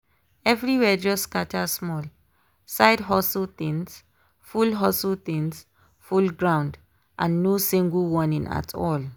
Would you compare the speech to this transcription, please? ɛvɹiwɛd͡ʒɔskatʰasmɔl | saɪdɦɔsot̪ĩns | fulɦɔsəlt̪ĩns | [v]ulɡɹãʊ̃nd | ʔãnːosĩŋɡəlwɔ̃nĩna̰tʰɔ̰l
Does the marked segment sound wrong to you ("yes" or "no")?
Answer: yes